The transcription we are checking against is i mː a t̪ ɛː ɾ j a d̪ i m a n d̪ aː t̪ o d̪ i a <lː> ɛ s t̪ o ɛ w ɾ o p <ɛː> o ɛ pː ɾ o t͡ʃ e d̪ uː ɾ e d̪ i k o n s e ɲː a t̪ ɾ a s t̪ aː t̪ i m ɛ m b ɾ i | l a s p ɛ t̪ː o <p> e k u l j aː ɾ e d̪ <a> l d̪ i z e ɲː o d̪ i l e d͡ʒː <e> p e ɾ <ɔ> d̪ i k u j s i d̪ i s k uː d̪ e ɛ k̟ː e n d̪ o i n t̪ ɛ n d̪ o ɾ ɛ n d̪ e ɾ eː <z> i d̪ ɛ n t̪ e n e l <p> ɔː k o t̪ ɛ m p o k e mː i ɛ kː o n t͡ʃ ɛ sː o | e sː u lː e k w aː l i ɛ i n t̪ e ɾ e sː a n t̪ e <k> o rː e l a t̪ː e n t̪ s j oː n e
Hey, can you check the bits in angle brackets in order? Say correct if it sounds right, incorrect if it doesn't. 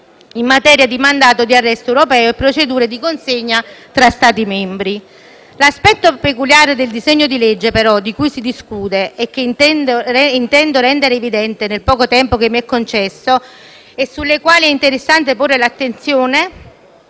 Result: incorrect: rː, correct, correct, incorrect: e, correct, correct, incorrect: v, correct, incorrect: p

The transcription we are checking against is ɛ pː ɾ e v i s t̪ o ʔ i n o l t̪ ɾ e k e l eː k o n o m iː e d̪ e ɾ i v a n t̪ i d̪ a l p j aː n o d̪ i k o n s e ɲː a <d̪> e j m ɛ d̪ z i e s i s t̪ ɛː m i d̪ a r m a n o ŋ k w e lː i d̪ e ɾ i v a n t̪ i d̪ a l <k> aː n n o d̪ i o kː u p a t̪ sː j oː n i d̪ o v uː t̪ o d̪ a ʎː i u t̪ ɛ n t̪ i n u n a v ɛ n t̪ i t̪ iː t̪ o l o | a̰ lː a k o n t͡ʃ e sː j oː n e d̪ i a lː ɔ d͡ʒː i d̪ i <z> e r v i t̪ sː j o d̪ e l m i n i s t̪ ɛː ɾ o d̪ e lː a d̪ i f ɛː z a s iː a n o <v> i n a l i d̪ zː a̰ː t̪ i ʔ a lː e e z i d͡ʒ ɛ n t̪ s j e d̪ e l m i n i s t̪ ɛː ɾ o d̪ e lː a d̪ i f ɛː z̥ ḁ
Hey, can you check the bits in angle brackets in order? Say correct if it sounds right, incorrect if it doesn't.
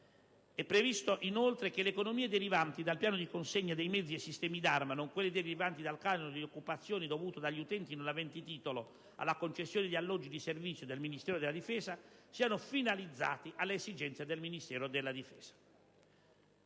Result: correct, correct, incorrect: s, incorrect: f

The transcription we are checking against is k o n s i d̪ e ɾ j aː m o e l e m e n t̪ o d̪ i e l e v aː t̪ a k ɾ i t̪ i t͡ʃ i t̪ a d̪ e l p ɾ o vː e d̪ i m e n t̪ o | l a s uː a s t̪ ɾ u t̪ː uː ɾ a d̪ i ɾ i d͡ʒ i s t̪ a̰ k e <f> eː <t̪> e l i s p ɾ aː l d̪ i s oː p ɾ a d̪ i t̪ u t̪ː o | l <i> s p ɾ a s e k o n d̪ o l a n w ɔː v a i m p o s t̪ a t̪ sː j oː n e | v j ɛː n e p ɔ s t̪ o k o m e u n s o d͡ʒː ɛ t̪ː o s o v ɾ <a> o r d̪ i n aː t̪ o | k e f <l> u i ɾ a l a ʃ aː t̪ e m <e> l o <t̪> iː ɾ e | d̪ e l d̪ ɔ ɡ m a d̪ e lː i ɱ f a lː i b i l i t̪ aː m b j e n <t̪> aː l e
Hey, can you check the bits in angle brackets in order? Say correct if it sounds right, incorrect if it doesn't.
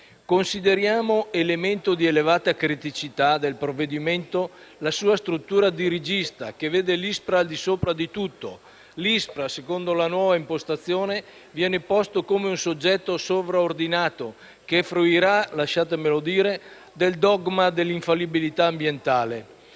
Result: incorrect: v, incorrect: d̪, correct, correct, incorrect: ɾ, correct, incorrect: d̪, correct

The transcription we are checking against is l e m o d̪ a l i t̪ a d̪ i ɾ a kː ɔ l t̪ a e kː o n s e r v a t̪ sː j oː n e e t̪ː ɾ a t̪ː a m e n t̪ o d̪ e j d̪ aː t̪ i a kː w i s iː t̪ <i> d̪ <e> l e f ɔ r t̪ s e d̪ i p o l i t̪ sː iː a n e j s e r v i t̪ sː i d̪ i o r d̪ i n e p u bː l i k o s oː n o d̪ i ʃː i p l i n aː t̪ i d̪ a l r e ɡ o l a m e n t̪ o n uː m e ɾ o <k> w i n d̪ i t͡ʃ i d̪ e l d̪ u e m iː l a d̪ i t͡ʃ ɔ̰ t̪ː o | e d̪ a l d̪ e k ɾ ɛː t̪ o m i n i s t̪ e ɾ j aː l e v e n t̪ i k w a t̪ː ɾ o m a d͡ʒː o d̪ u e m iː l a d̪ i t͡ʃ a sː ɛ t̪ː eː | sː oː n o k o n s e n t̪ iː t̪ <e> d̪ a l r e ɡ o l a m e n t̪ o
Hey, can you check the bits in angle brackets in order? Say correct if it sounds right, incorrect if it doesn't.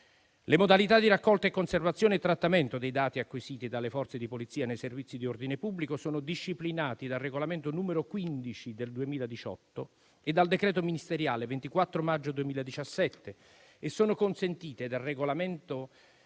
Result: correct, incorrect: a, correct, correct

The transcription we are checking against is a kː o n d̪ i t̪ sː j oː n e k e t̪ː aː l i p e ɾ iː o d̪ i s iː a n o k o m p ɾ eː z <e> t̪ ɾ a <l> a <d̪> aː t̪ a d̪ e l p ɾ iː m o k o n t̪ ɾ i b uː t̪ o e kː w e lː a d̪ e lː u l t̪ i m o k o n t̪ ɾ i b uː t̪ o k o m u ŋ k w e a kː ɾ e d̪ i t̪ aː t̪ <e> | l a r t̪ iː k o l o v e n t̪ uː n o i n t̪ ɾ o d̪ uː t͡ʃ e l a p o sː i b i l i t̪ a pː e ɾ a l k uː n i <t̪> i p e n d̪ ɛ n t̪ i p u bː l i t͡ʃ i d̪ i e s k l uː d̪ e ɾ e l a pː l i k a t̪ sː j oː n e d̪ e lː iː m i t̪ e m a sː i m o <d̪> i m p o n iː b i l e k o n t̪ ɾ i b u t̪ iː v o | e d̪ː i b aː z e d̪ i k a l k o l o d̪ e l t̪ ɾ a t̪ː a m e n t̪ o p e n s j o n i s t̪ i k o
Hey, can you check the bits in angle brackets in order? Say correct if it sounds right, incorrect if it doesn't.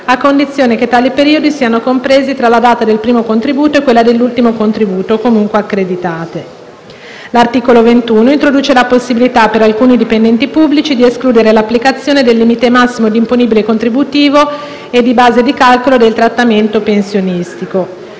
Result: incorrect: i, correct, correct, correct, incorrect: d̪, correct

